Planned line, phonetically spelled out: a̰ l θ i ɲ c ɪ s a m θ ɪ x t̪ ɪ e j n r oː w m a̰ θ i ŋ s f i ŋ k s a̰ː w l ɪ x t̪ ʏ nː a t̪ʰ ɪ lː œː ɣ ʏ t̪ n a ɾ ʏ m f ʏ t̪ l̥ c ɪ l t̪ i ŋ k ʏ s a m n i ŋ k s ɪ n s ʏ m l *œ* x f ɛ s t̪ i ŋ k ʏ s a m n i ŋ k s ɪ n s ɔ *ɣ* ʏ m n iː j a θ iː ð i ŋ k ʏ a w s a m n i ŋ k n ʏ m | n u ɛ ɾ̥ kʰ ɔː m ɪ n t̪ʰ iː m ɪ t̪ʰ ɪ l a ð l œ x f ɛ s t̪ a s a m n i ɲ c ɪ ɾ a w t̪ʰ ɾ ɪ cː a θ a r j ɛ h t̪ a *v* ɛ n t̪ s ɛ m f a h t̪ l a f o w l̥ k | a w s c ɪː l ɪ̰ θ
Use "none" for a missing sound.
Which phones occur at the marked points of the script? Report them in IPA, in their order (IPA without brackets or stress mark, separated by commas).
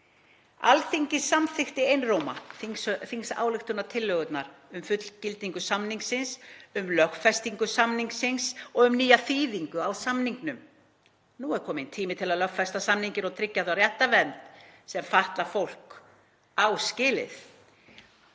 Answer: œ, ɣ, v